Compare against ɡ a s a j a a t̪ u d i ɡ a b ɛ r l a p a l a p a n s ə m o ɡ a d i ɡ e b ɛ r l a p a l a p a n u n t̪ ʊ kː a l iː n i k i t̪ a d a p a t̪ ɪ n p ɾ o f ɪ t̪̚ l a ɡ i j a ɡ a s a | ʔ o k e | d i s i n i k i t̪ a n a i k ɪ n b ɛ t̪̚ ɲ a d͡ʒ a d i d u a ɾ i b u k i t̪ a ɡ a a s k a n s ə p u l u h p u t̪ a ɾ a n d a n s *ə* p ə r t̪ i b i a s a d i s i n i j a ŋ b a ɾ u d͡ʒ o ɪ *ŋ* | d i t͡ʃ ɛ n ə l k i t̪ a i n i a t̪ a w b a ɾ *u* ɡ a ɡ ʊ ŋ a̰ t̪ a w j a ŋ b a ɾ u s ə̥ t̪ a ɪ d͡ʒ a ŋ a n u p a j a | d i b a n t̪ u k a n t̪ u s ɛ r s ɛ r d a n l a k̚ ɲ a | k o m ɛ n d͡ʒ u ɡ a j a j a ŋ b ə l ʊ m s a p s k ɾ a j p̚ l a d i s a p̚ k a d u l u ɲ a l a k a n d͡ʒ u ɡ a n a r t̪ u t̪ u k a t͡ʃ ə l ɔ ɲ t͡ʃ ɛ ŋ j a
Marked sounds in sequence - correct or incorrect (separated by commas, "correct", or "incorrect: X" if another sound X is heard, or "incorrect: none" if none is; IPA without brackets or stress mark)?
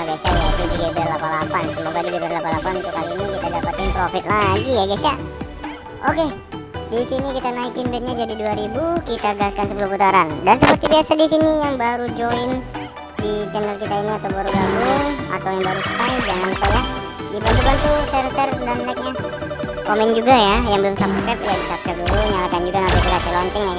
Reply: correct, incorrect: n, correct